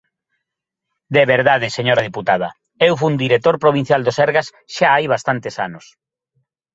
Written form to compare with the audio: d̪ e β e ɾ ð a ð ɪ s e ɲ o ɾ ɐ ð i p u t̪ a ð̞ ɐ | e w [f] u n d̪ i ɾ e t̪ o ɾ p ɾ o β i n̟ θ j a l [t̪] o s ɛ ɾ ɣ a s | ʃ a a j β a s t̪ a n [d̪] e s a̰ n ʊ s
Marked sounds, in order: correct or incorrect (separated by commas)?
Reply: correct, incorrect, incorrect